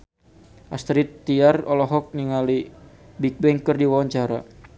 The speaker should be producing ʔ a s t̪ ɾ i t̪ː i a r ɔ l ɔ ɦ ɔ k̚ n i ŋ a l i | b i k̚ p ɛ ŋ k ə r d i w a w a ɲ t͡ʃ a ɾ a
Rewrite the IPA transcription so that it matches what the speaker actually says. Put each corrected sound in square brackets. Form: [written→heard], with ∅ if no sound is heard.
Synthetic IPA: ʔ a s t̪ ɾ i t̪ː i a r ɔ l ɔ ɦ ɔ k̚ n i ŋ a l i | b i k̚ [p→b] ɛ ŋ k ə r d i w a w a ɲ t͡ʃ a ɾ a